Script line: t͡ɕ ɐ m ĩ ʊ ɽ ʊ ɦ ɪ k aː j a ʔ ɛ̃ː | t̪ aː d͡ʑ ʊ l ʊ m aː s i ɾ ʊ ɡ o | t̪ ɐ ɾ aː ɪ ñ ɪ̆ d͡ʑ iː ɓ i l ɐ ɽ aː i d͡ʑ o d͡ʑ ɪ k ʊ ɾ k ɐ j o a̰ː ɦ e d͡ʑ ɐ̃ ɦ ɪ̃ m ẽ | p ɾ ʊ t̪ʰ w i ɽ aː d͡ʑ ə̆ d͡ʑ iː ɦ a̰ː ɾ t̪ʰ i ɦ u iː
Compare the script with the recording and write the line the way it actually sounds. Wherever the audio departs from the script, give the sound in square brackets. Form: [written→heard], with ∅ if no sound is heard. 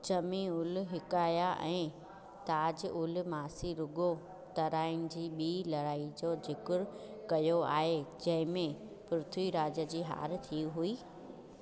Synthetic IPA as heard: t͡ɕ ɐ m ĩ ʊ [ɽ→l] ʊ ɦ ɪ k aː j a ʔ ɛ̃ː | t̪ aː d͡ʑ ʊ l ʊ m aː s i ɾ ʊ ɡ o | t̪ ɐ ɾ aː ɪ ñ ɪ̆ d͡ʑ iː ɓ [i→iː] l ɐ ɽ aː i d͡ʑ o d͡ʑ ɪ k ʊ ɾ k ɐ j o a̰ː ɦ e d͡ʑ ɐ̃ ɦ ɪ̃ m ẽ | p ɾ ʊ t̪ʰ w i [ɽ→ɾ] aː d͡ʑ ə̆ d͡ʑ iː ɦ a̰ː ɾ t̪ʰ i ɦ u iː